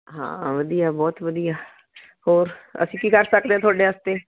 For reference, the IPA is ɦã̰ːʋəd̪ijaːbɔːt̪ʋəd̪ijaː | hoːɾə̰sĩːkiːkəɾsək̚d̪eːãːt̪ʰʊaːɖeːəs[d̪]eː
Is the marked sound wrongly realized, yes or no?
yes